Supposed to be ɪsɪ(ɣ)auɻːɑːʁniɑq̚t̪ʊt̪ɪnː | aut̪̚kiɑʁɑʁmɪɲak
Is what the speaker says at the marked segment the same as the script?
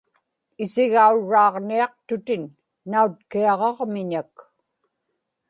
yes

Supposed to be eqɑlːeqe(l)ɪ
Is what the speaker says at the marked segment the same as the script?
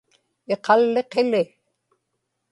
yes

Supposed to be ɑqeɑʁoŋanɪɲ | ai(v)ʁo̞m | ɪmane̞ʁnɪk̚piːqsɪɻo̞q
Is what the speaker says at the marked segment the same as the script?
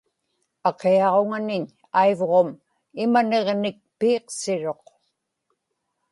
yes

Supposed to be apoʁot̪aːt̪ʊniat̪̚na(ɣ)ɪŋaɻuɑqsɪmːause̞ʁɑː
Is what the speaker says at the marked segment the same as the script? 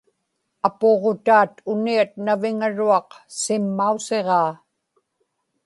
no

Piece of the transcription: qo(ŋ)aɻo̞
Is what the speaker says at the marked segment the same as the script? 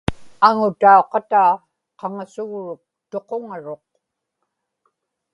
yes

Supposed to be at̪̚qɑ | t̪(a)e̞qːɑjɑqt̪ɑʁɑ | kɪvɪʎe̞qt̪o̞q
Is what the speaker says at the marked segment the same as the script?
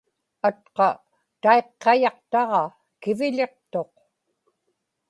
yes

